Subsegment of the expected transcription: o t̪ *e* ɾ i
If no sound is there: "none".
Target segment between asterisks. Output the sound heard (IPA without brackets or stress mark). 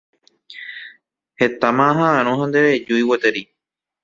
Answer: e